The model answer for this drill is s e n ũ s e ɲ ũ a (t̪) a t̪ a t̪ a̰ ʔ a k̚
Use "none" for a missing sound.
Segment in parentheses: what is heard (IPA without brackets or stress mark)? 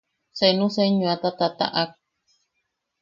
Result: t̪